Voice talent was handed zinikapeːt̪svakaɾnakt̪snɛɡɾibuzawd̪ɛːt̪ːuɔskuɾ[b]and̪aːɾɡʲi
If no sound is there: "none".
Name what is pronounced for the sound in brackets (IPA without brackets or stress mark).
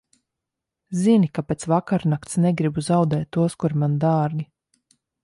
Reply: m